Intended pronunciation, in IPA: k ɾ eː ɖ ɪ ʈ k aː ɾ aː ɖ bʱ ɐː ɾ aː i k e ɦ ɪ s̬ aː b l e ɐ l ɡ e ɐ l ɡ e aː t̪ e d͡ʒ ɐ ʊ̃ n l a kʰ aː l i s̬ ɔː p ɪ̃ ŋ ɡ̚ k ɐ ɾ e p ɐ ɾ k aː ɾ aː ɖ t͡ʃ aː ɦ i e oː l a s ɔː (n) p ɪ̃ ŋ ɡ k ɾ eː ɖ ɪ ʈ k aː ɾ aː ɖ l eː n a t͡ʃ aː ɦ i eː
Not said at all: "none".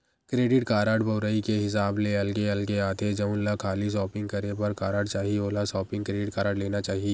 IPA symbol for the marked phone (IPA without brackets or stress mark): none